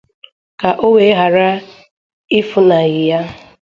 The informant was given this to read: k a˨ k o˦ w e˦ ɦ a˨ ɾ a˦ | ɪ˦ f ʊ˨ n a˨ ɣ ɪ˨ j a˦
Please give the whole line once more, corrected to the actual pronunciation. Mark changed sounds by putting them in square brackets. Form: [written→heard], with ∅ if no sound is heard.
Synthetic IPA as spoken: k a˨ [k→ʔ] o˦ w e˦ ɦ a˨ ɾ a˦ | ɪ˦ f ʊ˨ n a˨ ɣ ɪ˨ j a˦